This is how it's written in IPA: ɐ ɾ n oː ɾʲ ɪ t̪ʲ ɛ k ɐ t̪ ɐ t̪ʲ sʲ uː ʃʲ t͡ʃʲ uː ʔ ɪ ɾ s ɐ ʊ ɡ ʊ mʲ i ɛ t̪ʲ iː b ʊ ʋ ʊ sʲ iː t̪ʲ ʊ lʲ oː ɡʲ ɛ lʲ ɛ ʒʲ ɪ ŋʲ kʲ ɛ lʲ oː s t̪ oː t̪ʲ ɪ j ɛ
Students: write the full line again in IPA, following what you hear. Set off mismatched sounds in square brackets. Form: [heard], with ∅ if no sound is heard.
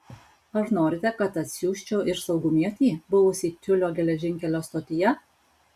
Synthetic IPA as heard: ɐ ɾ n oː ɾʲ ɪ t̪ʲ ɛ k ɐ t̪ ɐ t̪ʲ sʲ uː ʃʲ t͡ʃʲ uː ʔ ɪ ɾ s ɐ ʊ ɡ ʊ mʲ i ɛ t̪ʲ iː b ʊ ʋ ʊ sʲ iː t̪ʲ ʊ lʲ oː ɡʲ ɛ lʲ ɛ ʒʲ ɪ ŋʲ kʲ ɛ lʲ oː s t̪ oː t̪ʲ ɪ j ɛ